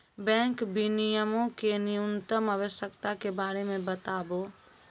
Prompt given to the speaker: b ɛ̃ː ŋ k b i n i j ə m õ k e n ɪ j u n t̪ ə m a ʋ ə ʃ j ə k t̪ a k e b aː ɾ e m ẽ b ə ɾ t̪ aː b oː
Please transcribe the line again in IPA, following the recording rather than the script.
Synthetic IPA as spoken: b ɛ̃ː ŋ k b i n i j ə m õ k e n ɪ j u n t̪ ə m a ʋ ə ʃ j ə k t̪ a k e b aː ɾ e m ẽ b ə t̪ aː b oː